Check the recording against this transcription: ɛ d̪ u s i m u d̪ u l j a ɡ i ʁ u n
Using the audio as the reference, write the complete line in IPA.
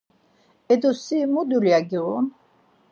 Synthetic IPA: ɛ d̪ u s i m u d̪ u l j a ɡ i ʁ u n